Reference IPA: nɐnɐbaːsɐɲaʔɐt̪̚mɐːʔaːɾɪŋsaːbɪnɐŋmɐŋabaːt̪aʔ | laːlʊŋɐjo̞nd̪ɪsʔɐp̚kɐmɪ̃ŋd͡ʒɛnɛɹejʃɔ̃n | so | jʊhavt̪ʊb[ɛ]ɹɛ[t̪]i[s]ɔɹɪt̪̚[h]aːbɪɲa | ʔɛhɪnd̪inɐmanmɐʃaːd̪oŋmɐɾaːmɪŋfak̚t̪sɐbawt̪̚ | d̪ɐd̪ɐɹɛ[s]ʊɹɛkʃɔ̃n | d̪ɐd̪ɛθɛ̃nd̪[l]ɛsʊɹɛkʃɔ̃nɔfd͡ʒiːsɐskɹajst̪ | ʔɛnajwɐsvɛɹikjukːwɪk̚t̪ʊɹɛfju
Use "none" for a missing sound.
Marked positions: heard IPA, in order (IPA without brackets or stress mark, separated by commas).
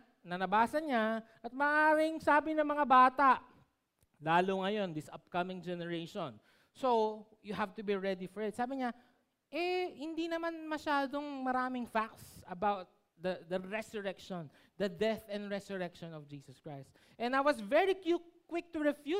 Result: i, d̪, f, s, s, ɹ